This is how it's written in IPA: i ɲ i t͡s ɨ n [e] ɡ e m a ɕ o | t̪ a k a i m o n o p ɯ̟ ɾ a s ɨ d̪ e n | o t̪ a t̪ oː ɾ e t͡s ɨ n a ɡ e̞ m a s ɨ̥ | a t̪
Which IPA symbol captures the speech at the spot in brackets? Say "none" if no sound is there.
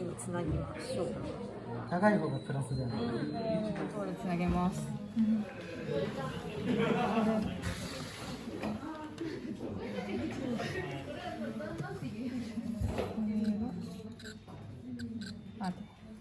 a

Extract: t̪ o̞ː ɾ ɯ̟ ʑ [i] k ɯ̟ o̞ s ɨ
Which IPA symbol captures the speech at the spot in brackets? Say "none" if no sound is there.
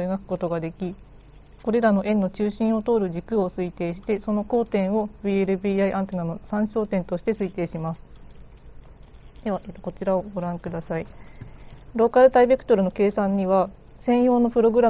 i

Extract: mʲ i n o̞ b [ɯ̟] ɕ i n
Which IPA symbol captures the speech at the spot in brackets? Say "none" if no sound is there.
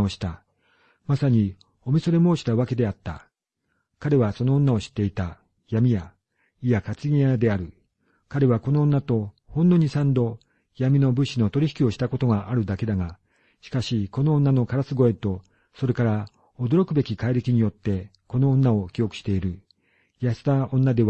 ɯ̟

